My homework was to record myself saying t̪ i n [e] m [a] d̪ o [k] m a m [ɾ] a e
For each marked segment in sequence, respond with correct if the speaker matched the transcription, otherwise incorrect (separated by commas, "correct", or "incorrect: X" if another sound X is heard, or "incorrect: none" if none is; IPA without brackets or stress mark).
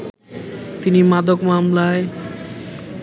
incorrect: i, correct, correct, incorrect: l